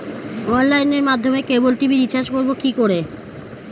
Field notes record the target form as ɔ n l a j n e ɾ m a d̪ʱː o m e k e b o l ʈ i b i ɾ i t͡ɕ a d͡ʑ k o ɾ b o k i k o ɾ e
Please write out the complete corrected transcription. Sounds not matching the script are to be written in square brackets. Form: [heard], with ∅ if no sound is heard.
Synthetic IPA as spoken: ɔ n l a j n e ɾ m a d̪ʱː o m e k e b o l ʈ i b i ɾ i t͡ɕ a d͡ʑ k o ɾ b o k i k o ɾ e

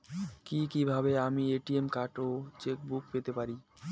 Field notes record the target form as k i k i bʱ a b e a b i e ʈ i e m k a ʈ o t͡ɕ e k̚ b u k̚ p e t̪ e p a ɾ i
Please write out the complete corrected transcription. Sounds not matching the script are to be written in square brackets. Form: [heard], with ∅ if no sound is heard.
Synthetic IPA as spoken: k i k i bʱ a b e a [m] i e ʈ i e m k a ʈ o t͡ɕ e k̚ b u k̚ p e t̪ e p a ɾ i

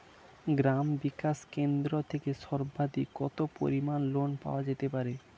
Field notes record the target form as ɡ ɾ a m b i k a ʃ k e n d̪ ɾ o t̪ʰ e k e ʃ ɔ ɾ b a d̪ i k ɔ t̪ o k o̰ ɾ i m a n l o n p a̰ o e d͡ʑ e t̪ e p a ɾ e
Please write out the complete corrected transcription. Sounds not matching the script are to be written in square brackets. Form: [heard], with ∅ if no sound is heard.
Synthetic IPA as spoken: ɡ ɾ a m b i k a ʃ k e n d̪ ɾ o t̪ʰ e k e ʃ ɔ ɾ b a d̪ i k ɔ t̪ o [p] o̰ ɾ i m a n l o n p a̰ o [a] d͡ʑ e t̪ e p a ɾ e

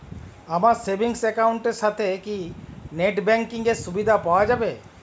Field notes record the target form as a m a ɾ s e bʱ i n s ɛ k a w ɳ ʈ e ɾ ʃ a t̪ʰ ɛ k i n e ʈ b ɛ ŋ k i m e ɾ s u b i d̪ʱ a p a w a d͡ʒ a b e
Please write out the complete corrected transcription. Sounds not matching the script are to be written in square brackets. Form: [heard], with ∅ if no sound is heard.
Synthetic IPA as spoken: a m a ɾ s e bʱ i [ŋ] s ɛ k a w ɳ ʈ e ɾ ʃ a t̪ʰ [e] k i n e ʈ b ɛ ŋ k i [ŋ] e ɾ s u b i d̪ʱ a p a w a d͡ʒ a b e

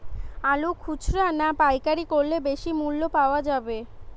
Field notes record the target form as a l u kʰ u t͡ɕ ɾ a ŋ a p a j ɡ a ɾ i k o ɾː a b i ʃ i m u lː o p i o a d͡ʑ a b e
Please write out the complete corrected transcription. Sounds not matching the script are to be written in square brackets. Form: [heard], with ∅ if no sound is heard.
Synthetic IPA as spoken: a l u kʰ u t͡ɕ ɾ a [n] a p a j [k] a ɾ i k o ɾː [e] b [e] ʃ i m u lː o p [a] o a d͡ʑ a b e

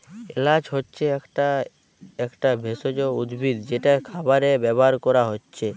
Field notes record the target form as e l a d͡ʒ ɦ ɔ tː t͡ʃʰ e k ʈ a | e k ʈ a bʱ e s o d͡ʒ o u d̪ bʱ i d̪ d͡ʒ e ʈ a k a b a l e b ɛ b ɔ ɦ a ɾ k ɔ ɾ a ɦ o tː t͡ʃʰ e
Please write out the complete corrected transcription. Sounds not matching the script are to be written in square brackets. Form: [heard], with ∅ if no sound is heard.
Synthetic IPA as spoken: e l a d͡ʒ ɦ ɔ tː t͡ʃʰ e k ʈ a | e k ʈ a bʱ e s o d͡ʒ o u d̪ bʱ i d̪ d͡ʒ e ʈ a [kʰ] a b a [ɾ] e b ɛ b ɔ ɦ a ɾ k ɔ ɾ a ɦ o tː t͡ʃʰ e

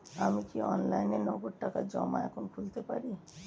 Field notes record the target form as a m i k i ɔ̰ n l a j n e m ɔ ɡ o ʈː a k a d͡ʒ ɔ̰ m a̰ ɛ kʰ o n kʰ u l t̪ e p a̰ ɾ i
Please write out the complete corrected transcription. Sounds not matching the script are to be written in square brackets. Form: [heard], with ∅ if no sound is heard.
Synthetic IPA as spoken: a m i k i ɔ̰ n l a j n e [n] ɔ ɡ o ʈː a k a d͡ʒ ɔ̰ m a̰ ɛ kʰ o n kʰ u l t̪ e p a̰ ɾ i

